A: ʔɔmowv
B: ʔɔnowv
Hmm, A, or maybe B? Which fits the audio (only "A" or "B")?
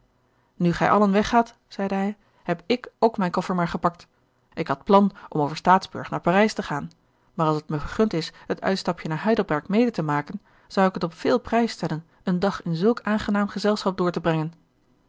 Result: A